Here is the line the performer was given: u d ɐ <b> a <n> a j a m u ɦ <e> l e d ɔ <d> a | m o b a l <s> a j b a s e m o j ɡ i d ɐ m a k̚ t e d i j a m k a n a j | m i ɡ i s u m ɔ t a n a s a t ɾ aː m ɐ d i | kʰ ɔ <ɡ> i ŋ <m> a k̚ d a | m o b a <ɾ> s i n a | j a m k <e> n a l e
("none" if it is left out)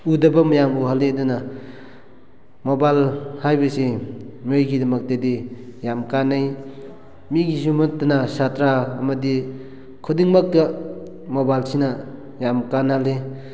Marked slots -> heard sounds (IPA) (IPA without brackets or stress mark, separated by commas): b, m, a, n, h, d, m, l, a